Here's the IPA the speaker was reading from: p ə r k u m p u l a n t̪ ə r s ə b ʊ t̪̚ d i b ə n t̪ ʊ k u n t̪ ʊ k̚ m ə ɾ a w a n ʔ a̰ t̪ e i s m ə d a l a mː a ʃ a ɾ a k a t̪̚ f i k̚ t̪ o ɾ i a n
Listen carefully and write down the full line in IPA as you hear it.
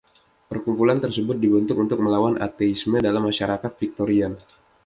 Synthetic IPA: p ə r k u m p u l a n t̪ ə r s ə b ʊ t̪̚ d i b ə n t̪ ʊ k u n t̪ ʊ k̚ m ə l a w a n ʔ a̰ t̪ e i s m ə d a l a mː a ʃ a ɾ a k a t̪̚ f i k̚ t̪ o ɾ i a n